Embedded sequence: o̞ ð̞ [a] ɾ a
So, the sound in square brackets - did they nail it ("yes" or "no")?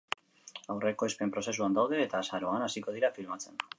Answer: no